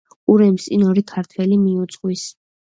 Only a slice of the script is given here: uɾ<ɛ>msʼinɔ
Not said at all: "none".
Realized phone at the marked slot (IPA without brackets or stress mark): ɛ